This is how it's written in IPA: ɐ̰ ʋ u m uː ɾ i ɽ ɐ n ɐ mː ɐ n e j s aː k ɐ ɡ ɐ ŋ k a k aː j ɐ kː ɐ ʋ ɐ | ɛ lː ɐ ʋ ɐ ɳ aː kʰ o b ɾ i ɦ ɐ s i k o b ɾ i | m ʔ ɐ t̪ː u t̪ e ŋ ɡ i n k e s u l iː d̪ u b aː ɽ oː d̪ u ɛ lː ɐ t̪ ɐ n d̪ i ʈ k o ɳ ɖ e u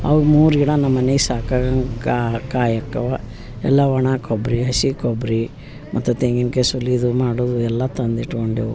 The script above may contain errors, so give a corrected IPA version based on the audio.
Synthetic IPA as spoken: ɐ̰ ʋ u m uː ɾ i ɽ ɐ n ɐ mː ɐ n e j s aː k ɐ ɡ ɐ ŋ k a k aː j ɐ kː ɐ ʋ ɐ | ɛ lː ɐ ʋ ɐ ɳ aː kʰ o b ɾ i ɦ ɐ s i k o b ɾ i | m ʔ ɐ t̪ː u t̪ e ŋ ɡ i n k e s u l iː d̪ u m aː ɽ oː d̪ u ɛ lː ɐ t̪ ɐ n d̪ i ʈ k o ɳ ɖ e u